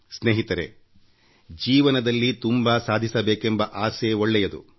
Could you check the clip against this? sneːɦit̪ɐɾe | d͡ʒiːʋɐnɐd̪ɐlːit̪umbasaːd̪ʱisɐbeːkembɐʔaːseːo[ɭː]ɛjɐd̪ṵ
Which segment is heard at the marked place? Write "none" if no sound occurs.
ɭː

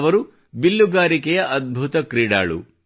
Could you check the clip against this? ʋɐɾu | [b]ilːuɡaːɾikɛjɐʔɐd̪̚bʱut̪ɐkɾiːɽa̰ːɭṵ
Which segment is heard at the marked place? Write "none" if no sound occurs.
b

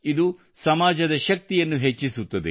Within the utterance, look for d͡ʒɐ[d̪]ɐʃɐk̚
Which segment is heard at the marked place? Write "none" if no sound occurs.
d̪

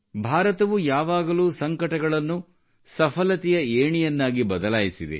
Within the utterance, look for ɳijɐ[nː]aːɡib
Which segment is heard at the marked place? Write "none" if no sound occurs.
nː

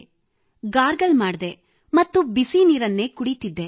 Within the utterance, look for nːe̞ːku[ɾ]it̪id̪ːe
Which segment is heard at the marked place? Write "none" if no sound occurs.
ɽ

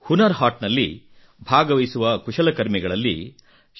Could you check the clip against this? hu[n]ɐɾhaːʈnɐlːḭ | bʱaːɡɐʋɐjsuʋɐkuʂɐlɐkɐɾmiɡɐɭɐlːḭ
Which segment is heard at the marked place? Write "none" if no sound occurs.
n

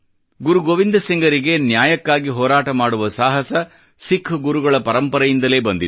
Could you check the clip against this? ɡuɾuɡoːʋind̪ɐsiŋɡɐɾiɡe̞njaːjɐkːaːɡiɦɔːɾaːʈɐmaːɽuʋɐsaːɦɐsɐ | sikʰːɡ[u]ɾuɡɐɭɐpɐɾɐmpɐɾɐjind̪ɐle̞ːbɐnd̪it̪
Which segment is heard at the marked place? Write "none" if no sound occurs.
u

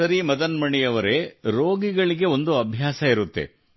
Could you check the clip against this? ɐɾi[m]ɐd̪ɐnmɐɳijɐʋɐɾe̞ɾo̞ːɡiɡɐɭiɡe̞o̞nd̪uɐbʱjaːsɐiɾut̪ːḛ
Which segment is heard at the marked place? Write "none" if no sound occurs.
m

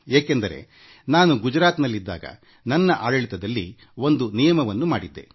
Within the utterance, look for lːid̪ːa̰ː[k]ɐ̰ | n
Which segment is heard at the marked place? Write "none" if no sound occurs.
ɡ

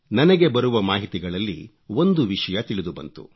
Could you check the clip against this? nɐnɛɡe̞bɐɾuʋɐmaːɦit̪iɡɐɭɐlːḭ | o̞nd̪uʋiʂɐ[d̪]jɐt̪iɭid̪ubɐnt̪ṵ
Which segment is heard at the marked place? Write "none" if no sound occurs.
none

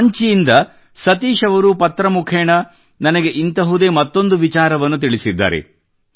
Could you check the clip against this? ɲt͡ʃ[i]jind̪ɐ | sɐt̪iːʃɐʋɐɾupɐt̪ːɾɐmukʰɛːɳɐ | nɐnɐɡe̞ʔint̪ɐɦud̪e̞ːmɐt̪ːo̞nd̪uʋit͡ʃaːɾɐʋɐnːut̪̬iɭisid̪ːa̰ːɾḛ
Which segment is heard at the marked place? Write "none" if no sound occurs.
i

